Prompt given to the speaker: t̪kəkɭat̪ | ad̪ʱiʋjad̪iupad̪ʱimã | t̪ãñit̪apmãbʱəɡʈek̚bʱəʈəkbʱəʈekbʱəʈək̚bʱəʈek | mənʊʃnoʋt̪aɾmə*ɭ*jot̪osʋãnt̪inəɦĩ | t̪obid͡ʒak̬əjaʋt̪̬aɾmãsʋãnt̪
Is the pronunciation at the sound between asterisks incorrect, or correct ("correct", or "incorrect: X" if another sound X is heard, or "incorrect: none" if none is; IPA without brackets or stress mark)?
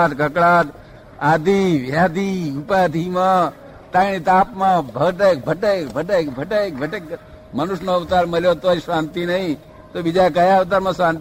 incorrect: l